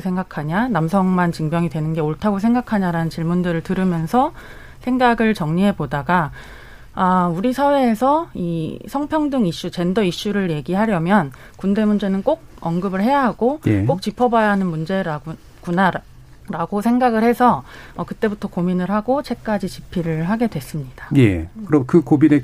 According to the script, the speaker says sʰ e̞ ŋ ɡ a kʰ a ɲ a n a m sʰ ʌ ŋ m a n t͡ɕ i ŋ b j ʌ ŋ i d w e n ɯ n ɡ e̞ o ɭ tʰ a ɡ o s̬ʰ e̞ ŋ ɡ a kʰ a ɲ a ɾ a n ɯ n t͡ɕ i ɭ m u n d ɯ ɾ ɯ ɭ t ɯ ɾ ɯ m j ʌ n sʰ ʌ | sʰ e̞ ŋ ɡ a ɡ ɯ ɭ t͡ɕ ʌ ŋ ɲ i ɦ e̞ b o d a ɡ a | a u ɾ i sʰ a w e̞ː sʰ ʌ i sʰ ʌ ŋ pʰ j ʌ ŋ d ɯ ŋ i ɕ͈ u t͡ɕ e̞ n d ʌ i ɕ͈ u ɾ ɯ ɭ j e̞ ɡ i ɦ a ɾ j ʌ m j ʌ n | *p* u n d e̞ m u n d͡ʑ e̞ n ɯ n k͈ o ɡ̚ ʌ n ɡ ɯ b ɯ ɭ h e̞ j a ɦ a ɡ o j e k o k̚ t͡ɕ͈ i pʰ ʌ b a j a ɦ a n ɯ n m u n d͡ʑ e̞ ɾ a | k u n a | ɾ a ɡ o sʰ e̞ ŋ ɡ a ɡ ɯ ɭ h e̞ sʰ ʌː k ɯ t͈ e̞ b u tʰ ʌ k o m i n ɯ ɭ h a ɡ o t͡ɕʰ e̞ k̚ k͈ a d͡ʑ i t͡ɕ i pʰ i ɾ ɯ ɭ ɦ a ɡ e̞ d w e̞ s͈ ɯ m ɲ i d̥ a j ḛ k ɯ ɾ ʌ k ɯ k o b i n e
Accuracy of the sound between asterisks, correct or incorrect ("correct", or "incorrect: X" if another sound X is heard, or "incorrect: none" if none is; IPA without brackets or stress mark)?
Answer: incorrect: k